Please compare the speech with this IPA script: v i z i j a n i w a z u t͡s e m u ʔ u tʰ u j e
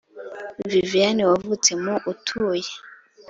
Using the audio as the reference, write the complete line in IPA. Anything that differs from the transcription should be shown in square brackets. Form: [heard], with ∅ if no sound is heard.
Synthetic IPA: v i [v] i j a n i w a [v] u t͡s e m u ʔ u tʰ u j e